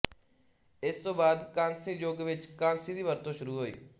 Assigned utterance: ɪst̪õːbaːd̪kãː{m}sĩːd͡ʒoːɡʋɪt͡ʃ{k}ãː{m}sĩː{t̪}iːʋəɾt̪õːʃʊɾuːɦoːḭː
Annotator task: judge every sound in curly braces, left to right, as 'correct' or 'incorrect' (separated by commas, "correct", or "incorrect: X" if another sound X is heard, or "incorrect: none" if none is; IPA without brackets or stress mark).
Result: incorrect: n, correct, incorrect: n, incorrect: d̪